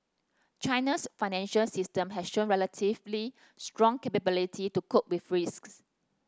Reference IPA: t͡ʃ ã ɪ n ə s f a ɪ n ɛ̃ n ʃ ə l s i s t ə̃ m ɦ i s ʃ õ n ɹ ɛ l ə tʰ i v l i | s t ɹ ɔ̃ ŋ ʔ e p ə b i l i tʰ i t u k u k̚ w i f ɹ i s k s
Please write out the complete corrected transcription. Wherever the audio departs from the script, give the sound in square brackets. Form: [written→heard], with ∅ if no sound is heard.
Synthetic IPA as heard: t͡ʃ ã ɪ n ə s f a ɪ n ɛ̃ n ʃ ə l s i s t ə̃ m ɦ [i→ɛ] s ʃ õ n ɹ ɛ l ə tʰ i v l i | s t ɹ ɔ̃ ŋ [ʔ→k] e p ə b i l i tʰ i t u k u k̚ w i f ɹ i s k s